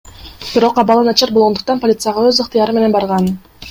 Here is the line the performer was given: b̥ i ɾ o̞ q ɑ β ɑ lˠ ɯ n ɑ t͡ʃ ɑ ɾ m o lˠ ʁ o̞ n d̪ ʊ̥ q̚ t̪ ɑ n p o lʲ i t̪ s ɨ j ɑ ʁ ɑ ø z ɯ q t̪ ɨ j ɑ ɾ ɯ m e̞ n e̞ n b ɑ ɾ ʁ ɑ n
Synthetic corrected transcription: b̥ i ɾ o̞ q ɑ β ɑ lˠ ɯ n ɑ t͡ʃ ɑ ɾ b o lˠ ʁ o̞ n d̪ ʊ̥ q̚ t̪ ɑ n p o lʲ i t̪ s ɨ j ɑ ʁ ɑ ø z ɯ q t̪ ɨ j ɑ ɾ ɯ m e̞ n e̞ n b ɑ ɾ ʁ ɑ n

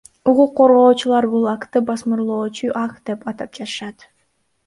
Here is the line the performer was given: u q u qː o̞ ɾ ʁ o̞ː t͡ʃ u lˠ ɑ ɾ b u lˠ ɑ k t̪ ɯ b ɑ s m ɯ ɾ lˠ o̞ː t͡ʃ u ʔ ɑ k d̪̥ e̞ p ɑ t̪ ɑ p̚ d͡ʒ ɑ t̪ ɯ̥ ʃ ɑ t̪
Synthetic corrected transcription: u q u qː o̞ ɾ ʁ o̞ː t͡ʃ u lˠ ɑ ɾ b u lˠ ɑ k t̪ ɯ b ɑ s m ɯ ɾ lˠ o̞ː t͡ʃ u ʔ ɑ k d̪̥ e̞ p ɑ t̪ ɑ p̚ d͡ʒ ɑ t̪ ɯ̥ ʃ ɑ t̪

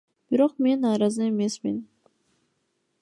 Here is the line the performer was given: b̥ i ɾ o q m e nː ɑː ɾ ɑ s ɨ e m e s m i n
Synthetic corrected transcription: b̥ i ɾ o q m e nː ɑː ɾ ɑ z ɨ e m e s m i n

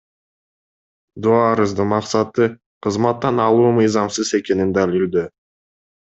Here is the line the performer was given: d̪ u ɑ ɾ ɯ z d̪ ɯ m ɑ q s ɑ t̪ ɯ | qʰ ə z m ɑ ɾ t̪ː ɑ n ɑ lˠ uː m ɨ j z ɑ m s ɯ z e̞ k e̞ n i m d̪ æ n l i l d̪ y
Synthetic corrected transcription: d̪ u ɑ ɾ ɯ z d̪ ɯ m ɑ q s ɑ t̪ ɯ | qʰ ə z m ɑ t̪ː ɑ n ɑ lˠ uː m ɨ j z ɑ m s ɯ z e̞ k e̞ n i n d̪ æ l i l d̪ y

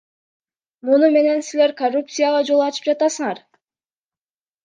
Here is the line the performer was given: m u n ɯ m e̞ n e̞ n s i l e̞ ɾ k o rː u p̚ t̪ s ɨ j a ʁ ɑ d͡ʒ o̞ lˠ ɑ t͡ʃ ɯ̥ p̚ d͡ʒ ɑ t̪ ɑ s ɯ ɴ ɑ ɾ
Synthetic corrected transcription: m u n u m e̞ n e̞ n s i l e̞ ɾ k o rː u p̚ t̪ s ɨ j a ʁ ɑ d͡ʒ o̞ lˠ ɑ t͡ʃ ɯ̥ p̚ d͡ʒ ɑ t̪ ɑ s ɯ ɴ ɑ ɾ

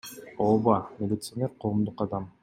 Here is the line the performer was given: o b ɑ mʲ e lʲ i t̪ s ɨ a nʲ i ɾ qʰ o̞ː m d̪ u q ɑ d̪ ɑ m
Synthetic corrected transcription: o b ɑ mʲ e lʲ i t̪ s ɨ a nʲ e ɾ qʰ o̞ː m d̪ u q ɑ d̪ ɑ m

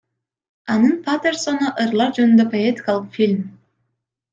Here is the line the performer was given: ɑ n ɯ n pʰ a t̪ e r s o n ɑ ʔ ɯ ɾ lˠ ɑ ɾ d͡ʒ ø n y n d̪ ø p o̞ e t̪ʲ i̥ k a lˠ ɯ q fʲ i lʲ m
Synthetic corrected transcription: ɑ n ɯ n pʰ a t̪ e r s o n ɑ ʔ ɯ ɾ lˠ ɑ ɾ d͡ʒ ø n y n d̪ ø p o̞ e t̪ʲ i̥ k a lˠ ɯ q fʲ i lʲ m

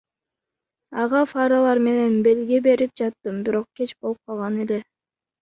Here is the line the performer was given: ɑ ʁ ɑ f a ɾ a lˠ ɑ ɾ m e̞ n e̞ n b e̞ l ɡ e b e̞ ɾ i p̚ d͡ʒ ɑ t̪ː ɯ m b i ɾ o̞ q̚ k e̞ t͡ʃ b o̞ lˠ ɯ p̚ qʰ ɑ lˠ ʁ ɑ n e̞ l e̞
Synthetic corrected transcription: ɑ ʁ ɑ f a ɾ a lˠ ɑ ɾ m e̞ n e̞ n b e̞ l ɡ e b e̞ ɾ i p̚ d͡ʒ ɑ t̪ː ɯ m b i ɾ o̞ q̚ k e̞ t͡ʃ b o̞ lˠ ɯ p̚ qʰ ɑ lˠ ʁ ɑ n e̞ l e̞

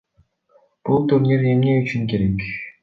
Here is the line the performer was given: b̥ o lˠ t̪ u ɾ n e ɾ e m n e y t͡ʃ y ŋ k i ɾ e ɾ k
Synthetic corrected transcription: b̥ u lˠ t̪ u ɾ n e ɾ e m n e y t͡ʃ y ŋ k e ɾ e k

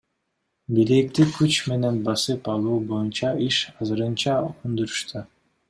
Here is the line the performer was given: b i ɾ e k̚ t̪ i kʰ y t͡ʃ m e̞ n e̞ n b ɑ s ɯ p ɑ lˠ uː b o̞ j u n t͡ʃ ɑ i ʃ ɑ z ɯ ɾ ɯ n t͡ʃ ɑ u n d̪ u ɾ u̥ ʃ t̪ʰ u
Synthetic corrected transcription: b i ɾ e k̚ t̪ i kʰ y t͡ʃ m e̞ n e̞ n b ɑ s ɯ p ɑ lˠ uː b o̞ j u n t͡ʃ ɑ i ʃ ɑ z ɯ ɾ ɯ n t͡ʃ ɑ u n d̪ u ɾ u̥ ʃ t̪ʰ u

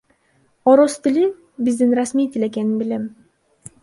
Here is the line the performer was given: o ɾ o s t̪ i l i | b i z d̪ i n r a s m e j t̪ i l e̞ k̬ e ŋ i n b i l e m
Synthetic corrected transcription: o ɾ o s t̪ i l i | b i z d̪ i n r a s m i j t̪ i l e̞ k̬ e n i n b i l e m

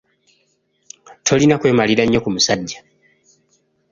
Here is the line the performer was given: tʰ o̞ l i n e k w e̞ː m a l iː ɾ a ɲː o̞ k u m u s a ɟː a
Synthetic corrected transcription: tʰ o̞ l i n a k w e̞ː m a l i ɾ a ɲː o̞ k u m u s a ɟː a

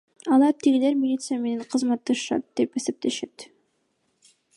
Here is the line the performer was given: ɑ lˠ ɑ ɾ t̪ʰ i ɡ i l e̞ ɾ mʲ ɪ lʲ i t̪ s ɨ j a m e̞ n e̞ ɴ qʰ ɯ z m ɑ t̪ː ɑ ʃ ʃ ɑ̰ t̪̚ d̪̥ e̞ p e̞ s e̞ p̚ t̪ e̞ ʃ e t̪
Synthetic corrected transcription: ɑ lˠ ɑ ɾ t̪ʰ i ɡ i l e̞ ɾ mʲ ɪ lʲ i t̪ s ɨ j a m e̞ n e̞ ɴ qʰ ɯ z m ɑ t̪ː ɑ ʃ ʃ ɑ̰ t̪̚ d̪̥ e̞ p e̞ s e̞ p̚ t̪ e̞ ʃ e t̪

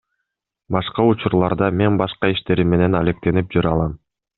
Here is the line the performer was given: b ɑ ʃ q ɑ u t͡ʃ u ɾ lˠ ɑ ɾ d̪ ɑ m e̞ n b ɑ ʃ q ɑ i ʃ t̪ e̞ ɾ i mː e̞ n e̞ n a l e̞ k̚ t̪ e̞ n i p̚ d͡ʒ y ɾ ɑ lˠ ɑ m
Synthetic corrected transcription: b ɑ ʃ q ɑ u t͡ʃ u ɾ lˠ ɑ ɾ d̪ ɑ m e̞ n b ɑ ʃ q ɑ i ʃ t̪ e̞ ɾ i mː e̞ n e̞ n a l e̞ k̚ t̪ e̞ n i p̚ d͡ʒ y ɾ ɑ lˠ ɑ m

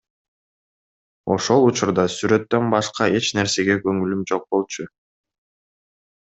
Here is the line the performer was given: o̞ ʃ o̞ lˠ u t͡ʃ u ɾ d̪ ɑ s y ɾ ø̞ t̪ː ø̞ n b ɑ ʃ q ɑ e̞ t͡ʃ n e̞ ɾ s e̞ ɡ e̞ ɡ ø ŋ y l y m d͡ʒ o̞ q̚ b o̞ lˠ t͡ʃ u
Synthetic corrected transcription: o̞ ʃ o̞ lˠ u t͡ʃ u ɾ d̪ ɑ s y ɾ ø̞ t̪ː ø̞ n b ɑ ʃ q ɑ e̞ t͡ʃ n e̞ ɾ s e̞ ɡ e̞ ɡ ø ŋ y l y m d͡ʒ o̞ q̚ b o̞ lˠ t͡ʃ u

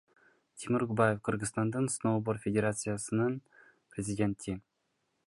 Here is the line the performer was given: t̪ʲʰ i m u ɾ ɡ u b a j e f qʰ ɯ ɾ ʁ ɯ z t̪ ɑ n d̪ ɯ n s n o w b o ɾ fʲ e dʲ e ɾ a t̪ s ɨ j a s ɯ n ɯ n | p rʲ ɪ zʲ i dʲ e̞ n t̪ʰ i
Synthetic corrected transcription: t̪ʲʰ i m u ɾ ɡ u b a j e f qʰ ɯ ɾ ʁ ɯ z t̪ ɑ n d̪ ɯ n s n o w b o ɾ fʲ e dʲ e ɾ a t̪ s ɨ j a s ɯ n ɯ n | p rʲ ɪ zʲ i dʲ e̞ n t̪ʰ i

